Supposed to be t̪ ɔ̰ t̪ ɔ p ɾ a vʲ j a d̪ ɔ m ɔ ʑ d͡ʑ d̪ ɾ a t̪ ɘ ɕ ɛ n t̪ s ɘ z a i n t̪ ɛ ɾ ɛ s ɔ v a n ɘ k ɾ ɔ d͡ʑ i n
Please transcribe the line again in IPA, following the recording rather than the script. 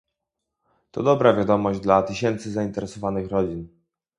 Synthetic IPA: t̪ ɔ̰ d̪ ɔ b ɾ a vʲ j a d̪ ɔ m ɔ ʑ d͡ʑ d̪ l a t̪ ɘ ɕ ɛ n t̪ s ɘ z a i n t̪ ɛ ɾ ɛ s ɔ v a n ɘ x ɾ ɔ d͡ʑ i n